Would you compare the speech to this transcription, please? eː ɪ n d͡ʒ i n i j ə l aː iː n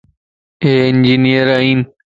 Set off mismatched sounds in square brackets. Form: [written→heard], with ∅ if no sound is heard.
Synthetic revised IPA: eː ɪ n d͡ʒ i n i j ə [l→ɾ] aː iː n